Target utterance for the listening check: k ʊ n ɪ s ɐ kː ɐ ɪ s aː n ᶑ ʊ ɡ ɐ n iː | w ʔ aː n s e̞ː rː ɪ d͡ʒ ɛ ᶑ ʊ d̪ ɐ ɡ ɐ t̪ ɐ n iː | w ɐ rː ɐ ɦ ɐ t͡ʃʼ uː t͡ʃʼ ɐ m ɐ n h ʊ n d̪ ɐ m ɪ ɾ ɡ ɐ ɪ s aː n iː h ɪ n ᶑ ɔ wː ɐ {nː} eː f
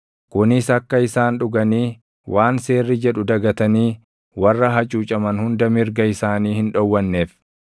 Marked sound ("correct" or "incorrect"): correct